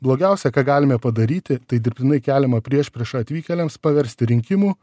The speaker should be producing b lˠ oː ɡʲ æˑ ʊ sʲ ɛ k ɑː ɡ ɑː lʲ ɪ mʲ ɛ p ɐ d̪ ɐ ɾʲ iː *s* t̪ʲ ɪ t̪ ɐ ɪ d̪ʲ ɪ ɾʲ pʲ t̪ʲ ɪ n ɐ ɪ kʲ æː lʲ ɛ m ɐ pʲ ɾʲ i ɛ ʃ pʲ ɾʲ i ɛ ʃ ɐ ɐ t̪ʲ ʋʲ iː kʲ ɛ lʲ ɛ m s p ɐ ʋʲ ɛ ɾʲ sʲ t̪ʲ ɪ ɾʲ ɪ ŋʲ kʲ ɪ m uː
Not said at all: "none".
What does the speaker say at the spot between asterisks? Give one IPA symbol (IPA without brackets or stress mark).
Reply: none